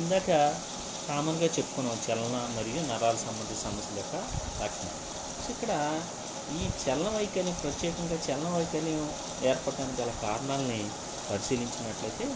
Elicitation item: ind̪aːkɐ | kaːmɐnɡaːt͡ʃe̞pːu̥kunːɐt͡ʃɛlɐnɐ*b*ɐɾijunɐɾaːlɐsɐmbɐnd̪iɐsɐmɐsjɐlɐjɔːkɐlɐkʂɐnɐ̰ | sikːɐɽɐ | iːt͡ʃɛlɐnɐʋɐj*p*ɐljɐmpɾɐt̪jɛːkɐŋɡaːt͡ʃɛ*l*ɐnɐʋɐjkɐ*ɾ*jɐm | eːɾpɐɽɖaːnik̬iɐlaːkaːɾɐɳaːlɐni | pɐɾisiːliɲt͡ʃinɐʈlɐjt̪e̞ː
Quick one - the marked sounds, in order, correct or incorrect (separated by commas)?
incorrect, incorrect, correct, incorrect